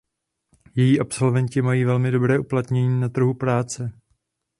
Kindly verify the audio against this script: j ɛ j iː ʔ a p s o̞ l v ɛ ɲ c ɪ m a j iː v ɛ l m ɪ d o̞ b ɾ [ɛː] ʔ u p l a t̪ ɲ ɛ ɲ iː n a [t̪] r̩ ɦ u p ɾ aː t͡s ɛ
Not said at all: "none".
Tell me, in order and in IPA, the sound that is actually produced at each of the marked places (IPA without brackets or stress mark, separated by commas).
ɛː, t̪